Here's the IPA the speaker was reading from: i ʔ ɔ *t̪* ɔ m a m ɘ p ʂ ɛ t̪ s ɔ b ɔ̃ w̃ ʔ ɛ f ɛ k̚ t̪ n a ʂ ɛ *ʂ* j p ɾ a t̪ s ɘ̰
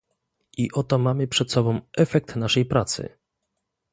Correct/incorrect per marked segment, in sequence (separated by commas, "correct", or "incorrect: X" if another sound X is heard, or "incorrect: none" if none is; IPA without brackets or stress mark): correct, incorrect: none